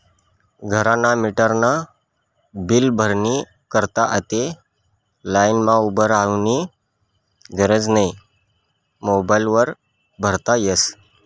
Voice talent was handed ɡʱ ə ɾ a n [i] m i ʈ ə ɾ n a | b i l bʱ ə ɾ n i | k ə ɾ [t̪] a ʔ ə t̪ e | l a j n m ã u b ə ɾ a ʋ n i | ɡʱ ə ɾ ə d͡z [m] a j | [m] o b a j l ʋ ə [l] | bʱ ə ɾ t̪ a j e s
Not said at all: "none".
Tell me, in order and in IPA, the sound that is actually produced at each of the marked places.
a, t̪, n, m, ɾ

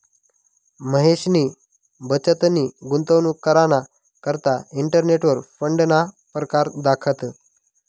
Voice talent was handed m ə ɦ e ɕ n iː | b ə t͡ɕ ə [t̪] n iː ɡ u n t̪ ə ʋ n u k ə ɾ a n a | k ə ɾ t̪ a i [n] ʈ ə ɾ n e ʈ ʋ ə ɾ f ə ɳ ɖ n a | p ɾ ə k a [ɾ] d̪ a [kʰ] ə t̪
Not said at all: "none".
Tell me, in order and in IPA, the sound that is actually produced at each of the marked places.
t̪, ɳ, ɾ, kʰ

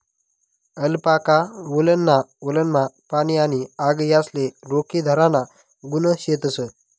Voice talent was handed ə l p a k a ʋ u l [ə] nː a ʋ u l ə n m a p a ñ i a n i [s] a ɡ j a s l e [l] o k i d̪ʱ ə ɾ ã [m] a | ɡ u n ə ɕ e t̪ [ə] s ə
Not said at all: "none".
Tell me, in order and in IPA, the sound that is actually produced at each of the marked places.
ə, none, ɾ, n, ə

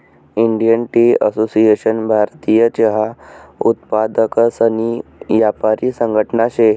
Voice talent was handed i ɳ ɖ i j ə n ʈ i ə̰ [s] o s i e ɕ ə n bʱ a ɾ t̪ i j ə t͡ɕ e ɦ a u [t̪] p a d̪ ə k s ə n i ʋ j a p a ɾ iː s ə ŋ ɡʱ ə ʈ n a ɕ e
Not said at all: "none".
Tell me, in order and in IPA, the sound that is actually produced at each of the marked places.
s, t̪

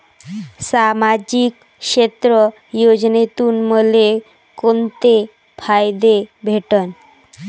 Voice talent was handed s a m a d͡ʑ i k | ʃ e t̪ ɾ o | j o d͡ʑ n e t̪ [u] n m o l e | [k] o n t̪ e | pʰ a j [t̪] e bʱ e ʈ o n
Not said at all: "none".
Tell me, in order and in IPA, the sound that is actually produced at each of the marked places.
u, k, d̪

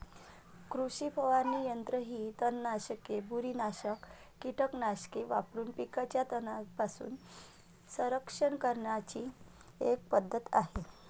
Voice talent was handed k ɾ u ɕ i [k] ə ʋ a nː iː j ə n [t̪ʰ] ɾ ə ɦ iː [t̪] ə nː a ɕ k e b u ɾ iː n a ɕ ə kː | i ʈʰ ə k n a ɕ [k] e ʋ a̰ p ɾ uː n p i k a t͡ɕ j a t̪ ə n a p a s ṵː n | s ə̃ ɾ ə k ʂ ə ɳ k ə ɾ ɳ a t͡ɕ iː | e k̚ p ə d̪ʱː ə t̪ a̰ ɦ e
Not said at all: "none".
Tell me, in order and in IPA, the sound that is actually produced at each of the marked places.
p, t̪, t̪, k

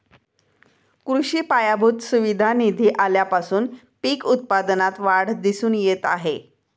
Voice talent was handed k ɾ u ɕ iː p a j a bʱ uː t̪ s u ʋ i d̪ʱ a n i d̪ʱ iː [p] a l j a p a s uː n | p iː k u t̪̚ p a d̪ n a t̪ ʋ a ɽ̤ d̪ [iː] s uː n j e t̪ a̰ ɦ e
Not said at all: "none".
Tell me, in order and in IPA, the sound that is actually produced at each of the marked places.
ʔ, i

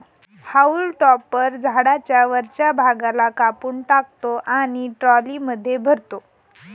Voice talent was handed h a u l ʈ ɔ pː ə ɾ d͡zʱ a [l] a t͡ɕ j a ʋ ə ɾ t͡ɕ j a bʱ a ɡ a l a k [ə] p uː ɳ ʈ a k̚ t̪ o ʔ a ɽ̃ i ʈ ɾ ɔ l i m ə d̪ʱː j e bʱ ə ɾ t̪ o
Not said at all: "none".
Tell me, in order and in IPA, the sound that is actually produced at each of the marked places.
ɽ, a

